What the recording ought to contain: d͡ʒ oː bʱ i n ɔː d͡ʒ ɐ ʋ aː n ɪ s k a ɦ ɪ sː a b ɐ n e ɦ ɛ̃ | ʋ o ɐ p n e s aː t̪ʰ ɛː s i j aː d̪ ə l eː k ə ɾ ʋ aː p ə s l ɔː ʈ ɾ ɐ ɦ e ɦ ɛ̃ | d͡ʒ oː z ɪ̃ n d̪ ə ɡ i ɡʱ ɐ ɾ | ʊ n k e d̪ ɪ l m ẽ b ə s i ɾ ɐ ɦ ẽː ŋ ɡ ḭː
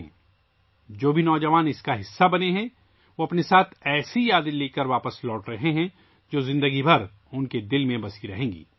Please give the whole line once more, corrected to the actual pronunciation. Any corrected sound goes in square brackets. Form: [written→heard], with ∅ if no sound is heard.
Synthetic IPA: d͡ʒ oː bʱ i n ɔː d͡ʒ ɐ ʋ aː n ɪ s k a ɦ ɪ sː a b ɐ n e ɦ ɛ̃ | ʋ o ɐ p n e s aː t̪ʰ ɛː s i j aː d̪ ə l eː k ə ɾ ʋ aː p ə s l ɔː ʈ ɾ ɐ ɦ e ɦ ɛ̃ | d͡ʒ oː z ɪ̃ n d̪ ə ɡ i [ɡʱ→bʱ] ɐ ɾ | ʊ n k e d̪ ɪ l m ẽ b [ə→ɐ] s i ɾ ɐ ɦ ẽː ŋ ɡ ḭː